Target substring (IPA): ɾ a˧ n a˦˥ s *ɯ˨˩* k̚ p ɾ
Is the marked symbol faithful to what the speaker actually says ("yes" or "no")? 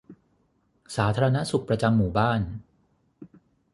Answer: no